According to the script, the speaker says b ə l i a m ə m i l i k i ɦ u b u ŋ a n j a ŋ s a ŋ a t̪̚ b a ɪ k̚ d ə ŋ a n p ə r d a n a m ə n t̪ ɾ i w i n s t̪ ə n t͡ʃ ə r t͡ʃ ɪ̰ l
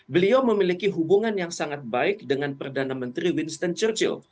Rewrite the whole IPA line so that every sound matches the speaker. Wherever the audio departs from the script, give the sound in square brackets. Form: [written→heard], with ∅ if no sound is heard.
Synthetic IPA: b ə l i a m ə m i l i k i ɦ u b u ŋ a n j a ŋ s a ŋ a t̪̚ b a ɪ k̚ d ə ŋ a n p ə r d a n a m ə n t̪ ɾ i w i n s t̪ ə n t͡ʃ ə r t͡ʃ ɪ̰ l